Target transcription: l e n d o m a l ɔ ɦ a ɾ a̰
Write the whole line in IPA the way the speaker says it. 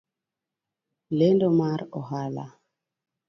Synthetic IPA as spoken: l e n d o m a ɾ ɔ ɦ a l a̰